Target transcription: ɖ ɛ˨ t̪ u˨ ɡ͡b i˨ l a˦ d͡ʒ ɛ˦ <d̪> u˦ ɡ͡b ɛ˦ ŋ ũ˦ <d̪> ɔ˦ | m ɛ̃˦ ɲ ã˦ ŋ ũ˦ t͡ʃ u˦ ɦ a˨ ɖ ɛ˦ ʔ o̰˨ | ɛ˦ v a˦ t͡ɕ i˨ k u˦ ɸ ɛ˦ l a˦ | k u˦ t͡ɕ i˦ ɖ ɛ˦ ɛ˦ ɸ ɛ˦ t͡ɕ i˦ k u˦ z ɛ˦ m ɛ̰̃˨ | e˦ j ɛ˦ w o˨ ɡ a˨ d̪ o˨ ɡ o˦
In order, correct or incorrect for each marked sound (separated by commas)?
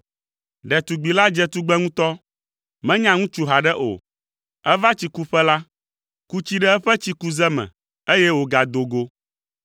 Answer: incorrect, incorrect